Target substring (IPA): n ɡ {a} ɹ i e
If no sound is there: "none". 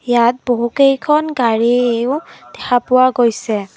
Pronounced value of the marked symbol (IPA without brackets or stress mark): a